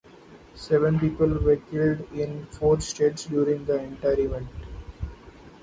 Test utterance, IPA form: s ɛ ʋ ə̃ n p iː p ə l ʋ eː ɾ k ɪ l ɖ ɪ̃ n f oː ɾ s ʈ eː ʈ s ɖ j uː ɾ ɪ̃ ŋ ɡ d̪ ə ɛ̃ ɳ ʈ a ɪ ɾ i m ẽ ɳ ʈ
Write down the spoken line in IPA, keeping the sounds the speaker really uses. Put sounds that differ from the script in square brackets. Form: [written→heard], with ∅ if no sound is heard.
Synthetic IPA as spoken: s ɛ ʋ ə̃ n p iː p ə l ʋ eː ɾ k ɪ l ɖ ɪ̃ n f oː ɾ s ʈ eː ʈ s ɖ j uː ɾ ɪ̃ ŋ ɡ d̪ ə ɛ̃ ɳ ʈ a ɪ ɾ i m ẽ ɳ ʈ